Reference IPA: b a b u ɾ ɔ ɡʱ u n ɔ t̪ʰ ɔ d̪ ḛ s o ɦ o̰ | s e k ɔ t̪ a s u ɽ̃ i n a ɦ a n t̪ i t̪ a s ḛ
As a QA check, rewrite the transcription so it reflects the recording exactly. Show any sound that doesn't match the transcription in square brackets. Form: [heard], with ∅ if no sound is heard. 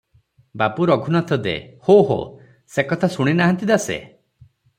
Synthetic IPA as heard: b a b u ɾ ɔ ɡʱ u n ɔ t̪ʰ ɔ d̪ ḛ [h] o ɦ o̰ | s e k ɔ [t̪ʰ] a s u ɽ̃ i n a ɦ a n t̪ i [d̪] a s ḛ